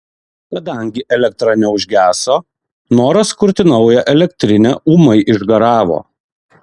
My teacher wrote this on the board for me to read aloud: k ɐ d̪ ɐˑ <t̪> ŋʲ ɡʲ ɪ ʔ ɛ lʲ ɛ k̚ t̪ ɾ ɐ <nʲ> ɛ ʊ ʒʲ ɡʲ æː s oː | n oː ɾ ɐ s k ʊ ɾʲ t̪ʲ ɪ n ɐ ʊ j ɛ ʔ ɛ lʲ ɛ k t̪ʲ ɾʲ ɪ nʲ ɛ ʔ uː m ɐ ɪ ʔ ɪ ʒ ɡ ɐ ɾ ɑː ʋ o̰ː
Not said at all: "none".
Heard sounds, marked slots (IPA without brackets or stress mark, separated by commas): none, nʲ